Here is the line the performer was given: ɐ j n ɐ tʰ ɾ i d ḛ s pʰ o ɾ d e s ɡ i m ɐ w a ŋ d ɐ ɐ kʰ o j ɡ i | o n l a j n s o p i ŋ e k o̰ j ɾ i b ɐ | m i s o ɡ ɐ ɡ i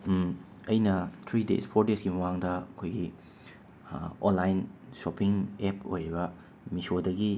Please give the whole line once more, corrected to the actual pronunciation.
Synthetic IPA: ɐ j n ɐ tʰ ɾ i d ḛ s pʰ o ɾ d e s ɡ i m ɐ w a ŋ d ɐ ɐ kʰ o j ɡ i | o n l a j n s o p i ŋ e p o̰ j ɾ i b ɐ | m i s o d ɐ ɡ i